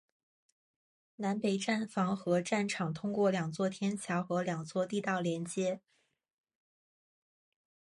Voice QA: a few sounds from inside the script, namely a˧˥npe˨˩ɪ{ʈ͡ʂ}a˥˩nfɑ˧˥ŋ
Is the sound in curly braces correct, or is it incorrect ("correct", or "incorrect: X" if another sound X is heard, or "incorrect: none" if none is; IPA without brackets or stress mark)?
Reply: correct